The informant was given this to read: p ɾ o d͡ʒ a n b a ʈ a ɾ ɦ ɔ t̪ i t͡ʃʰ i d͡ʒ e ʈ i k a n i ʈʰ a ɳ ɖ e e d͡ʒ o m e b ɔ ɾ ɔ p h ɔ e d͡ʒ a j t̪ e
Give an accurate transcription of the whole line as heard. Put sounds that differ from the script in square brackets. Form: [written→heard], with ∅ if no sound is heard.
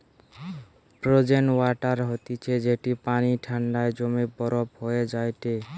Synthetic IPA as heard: p ɾ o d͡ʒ [a→e] n [b→w] a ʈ a ɾ ɦ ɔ t̪ i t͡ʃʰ [i→e] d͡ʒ e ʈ i [k→p] a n i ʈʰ a ɳ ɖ [e→a] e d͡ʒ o m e b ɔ ɾ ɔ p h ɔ e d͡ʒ a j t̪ e